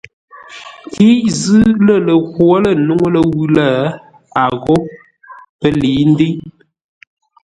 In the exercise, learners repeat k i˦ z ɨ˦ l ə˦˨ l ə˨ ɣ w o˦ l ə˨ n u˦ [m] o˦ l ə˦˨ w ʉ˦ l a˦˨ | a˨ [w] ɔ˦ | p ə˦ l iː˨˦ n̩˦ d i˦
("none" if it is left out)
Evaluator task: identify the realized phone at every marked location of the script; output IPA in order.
ŋ, ɣ

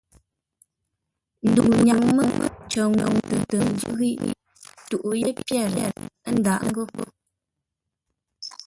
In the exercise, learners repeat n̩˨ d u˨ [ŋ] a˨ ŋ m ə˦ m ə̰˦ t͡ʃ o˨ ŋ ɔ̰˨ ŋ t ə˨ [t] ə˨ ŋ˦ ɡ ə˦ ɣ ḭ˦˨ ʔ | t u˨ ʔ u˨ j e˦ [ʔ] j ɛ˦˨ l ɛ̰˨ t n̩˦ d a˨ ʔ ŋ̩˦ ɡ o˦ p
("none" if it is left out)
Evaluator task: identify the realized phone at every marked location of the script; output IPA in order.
ɲ, t, p

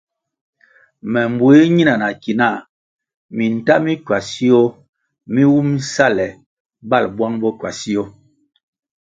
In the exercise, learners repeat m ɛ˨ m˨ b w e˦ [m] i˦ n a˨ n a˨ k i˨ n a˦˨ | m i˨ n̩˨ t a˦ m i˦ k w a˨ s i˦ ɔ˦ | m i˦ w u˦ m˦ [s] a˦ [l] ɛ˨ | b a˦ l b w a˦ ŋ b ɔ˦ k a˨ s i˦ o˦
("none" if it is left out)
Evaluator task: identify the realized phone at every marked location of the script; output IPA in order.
ɲ, s, l

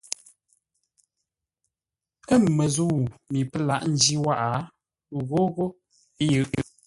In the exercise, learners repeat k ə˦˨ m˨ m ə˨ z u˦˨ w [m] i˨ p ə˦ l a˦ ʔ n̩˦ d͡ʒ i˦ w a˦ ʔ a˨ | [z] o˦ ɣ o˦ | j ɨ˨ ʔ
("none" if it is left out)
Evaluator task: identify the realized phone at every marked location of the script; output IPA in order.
m, ɣ

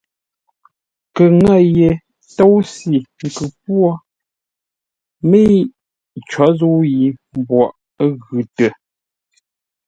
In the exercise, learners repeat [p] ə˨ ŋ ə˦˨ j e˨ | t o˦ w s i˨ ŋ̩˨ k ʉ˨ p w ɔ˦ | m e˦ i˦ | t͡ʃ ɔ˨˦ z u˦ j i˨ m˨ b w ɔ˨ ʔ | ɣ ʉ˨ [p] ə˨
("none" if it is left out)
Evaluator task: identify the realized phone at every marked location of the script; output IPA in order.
k, t

